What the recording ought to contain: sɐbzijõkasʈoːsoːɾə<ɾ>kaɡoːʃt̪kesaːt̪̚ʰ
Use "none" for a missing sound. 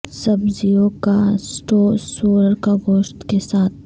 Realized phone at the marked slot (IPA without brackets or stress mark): ɾ